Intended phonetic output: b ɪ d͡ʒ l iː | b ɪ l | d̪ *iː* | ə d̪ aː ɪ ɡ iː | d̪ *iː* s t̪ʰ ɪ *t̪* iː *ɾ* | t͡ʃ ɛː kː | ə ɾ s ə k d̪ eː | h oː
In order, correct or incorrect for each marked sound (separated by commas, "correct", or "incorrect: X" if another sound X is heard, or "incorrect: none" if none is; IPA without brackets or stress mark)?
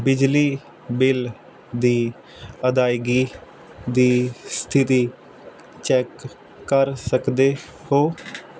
correct, correct, correct, incorrect: none